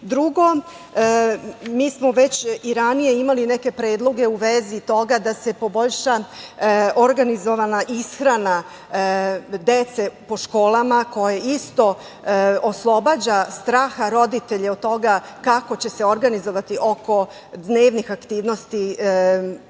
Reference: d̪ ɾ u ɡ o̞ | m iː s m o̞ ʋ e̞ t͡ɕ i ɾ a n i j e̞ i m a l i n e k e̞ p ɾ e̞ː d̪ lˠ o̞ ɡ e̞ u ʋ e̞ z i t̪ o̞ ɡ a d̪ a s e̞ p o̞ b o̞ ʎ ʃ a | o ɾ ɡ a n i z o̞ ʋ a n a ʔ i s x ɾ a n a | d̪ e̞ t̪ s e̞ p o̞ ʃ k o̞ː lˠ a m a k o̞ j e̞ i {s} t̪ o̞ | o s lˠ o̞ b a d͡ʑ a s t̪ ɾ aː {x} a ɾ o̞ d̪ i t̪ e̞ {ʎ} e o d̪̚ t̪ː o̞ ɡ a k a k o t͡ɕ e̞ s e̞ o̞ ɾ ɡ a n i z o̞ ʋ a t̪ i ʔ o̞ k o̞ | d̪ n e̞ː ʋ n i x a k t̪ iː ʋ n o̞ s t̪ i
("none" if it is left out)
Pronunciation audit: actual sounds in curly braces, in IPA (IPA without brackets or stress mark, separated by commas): s, x, ʎ